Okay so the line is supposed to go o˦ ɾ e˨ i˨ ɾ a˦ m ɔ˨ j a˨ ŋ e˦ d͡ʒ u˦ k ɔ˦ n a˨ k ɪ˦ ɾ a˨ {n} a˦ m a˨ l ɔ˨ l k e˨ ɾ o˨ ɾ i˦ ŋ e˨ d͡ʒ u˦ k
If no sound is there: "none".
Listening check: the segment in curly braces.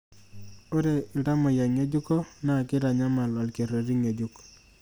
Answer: ɲ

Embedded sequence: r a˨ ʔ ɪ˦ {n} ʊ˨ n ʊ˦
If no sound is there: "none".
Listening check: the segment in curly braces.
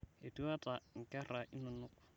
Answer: n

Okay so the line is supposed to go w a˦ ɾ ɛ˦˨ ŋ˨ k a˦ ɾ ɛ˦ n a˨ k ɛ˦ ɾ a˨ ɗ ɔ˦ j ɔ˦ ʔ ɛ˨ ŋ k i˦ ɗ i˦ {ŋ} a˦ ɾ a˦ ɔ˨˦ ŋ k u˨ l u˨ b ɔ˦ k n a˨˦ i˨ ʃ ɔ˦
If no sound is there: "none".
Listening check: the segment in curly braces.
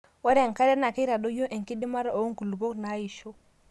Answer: m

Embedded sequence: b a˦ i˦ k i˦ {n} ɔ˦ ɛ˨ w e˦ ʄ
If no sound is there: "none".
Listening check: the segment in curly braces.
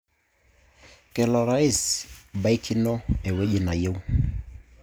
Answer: n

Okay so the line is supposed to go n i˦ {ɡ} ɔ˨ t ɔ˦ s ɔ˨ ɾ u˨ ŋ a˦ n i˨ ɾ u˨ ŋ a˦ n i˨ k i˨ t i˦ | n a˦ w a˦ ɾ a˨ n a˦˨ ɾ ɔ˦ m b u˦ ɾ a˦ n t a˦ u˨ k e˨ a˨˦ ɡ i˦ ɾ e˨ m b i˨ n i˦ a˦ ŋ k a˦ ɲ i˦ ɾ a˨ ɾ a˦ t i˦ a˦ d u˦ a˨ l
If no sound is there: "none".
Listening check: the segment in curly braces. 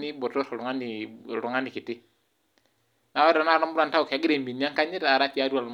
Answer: b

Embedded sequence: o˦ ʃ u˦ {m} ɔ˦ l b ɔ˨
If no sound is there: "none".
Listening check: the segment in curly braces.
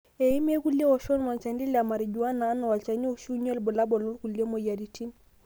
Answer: ɲ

